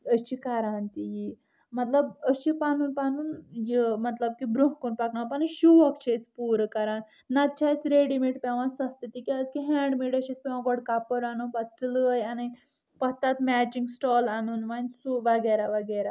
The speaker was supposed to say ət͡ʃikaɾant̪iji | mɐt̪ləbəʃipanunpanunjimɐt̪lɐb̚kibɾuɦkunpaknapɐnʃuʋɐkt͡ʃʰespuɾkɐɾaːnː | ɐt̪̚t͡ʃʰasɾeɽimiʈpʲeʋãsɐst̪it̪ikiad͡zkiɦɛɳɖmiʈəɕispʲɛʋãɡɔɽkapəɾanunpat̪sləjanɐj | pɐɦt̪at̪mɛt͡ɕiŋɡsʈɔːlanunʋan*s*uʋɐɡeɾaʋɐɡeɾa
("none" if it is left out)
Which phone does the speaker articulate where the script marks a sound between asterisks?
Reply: s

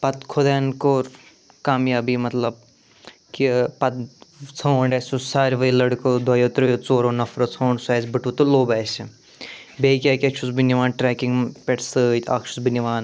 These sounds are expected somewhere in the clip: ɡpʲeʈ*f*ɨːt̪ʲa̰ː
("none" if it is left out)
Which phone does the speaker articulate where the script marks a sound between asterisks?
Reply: s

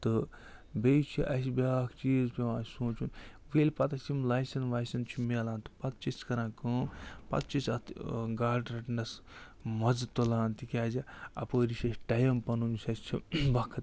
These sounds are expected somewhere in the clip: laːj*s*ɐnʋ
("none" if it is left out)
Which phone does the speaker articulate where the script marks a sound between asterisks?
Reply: s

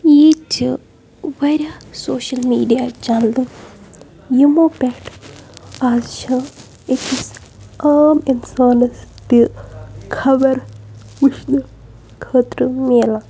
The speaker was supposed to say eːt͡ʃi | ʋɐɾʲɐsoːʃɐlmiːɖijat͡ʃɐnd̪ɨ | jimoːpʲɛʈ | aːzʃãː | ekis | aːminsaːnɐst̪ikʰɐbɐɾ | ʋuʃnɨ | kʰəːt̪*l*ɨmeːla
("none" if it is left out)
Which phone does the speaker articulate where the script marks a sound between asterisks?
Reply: ɾ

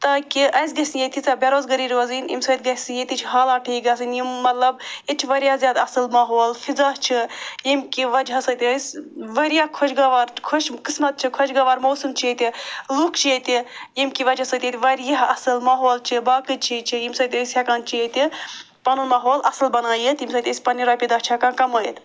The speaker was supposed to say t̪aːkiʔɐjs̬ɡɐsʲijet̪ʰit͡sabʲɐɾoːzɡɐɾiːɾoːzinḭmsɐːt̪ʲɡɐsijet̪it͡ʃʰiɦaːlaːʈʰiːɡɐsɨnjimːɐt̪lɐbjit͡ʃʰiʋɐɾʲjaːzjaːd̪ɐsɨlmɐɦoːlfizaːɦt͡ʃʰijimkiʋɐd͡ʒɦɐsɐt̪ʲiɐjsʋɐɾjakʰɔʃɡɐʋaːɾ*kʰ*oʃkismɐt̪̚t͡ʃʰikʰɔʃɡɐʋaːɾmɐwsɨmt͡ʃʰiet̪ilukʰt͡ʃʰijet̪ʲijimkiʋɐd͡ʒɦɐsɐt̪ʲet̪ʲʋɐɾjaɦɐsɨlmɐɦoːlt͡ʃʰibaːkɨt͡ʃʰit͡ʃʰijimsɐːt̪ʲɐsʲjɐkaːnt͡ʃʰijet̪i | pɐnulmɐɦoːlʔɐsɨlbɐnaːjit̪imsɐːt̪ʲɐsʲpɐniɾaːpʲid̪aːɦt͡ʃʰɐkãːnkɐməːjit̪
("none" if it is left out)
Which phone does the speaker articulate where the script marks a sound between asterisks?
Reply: kʰ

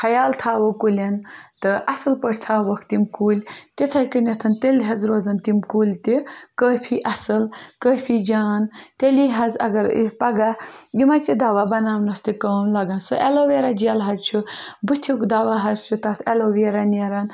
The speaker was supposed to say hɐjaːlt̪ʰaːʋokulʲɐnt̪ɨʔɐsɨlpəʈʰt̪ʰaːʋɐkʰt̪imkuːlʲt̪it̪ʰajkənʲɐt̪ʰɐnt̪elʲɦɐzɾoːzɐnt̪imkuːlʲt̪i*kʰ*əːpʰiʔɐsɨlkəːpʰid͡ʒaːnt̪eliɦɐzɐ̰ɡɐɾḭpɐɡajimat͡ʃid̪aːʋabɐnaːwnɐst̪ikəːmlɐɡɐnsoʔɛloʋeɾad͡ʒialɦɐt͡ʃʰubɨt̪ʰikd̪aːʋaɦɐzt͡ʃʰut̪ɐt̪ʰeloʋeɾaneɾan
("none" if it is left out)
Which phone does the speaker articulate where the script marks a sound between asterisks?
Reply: k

